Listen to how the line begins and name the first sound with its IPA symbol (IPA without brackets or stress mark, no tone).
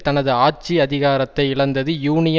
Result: t̪